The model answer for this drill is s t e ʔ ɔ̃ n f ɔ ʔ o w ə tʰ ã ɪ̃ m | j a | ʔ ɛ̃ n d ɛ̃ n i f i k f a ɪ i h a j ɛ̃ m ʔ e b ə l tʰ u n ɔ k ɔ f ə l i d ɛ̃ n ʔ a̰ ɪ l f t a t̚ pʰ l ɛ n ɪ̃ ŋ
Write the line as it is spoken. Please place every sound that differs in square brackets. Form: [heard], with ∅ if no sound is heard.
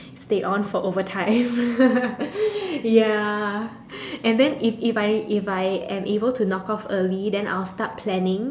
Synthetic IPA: s t e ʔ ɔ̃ n f ɔ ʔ o [v] ə tʰ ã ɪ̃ m | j a | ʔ ɛ̃ n d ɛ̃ n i f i [∅] f a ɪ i [f] a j ɛ̃ m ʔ e b ə l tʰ u n ɔ k ɔ f ə l i d ɛ̃ n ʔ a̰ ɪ l [s] t a t̚ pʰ l ɛ n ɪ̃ ŋ